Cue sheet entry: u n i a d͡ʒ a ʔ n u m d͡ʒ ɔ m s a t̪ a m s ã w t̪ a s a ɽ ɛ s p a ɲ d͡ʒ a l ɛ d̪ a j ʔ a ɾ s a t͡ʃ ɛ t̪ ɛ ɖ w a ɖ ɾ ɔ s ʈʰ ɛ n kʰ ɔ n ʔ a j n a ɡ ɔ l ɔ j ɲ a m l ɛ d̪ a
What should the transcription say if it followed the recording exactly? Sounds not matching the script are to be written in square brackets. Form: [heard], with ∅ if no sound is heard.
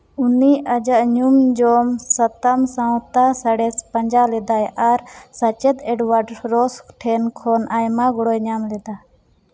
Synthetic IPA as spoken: u n i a d͡ʒ a ʔ [ɲ] u m d͡ʒ ɔ m s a t̪ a m s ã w t̪ a s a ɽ ɛ s p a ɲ d͡ʒ a l ɛ d̪ a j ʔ a ɾ s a t͡ʃ ɛ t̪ ɛ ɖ w a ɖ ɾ ɔ s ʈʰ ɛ n kʰ ɔ n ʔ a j [m] a ɡ ɔ [ɽ] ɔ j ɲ a m l ɛ d̪ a